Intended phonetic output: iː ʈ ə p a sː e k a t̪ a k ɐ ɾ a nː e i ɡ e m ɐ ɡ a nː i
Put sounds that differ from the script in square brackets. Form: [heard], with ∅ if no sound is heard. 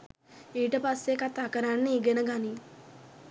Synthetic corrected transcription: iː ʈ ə p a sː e k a t̪ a k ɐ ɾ a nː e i ɡ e [n] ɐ ɡ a [n] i